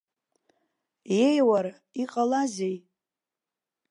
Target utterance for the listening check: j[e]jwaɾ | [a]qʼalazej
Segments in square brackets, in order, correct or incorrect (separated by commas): correct, incorrect